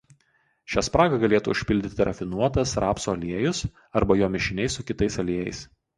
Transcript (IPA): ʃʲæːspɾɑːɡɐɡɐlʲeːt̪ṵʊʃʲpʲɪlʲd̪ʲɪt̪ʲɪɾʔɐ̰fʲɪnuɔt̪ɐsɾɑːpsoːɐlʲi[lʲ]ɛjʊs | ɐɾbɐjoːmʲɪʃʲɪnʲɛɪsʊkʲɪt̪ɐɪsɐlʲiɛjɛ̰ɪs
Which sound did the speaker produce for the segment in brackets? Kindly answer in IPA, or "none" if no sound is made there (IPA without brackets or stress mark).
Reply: none